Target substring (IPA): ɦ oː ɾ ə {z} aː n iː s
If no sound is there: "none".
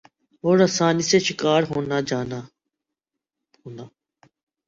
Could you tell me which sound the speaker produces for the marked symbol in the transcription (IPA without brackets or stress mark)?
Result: s